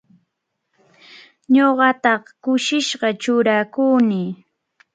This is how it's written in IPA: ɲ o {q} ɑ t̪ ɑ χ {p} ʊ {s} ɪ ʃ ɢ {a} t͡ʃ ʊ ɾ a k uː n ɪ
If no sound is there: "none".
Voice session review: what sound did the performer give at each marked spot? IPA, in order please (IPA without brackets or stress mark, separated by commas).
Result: ɢ, k, ʃ, ɑ